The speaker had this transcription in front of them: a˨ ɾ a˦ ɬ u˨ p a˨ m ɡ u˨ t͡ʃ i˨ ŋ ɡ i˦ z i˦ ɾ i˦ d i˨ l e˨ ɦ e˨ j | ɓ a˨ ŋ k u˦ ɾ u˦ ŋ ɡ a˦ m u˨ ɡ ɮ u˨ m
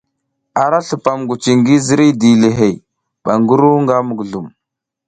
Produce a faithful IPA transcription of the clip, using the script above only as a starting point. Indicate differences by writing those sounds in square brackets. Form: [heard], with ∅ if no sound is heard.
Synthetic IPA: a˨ ɾ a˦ ɬ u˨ p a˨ m ɡ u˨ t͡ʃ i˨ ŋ ɡ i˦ z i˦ ɾ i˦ d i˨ l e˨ ɦ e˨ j | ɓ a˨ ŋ [ɡ] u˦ ɾ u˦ ŋ ɡ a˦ m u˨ ɡ ɮ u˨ m